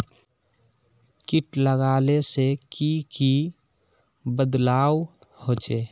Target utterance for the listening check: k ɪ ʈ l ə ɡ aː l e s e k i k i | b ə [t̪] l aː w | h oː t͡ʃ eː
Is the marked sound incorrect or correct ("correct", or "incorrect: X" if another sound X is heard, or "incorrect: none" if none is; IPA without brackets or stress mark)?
incorrect: d̪